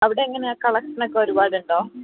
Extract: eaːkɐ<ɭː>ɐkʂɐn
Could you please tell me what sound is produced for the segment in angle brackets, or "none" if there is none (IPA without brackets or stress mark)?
ɭ